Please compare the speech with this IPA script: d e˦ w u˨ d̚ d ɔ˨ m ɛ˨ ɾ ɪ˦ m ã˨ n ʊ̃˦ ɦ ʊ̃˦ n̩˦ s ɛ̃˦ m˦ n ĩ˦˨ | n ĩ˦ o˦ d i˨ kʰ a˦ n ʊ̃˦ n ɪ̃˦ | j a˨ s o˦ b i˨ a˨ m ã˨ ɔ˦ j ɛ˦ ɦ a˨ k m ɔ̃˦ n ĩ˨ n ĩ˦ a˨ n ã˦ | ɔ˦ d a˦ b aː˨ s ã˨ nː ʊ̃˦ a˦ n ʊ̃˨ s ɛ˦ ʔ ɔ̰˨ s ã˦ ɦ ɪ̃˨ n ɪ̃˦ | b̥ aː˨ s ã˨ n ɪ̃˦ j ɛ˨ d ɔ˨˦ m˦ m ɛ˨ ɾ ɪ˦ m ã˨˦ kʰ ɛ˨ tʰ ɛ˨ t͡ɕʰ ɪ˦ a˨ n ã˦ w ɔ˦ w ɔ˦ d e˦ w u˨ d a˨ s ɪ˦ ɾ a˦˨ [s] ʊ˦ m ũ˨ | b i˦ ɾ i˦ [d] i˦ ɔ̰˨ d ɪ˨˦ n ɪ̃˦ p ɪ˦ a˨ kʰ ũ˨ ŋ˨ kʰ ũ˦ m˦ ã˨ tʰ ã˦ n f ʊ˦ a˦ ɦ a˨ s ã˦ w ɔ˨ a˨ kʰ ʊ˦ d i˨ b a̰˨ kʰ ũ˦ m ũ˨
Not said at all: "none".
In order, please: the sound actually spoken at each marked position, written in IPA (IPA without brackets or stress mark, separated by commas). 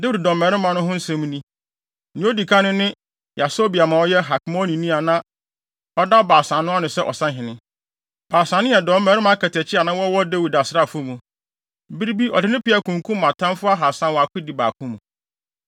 f, b